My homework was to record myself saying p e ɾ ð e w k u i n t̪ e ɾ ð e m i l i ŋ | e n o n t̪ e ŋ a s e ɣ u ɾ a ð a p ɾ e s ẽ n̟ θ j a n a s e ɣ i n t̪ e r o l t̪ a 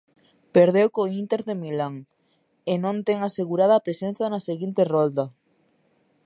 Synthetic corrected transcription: p e ɾ ð e w k o i n t̪ e ɾ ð e m i l a ŋ | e n õ n t̪ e ŋ a s e ɣ u ɾ a ð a p ɾ e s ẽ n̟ θ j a n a s e ɣ i n t̪ e r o l d̪ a